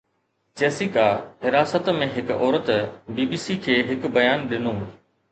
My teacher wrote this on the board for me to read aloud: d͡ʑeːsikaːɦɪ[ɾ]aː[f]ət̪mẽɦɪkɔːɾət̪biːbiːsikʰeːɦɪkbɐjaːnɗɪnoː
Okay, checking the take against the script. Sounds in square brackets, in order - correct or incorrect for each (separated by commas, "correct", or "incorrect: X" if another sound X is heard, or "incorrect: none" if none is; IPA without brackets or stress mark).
correct, incorrect: s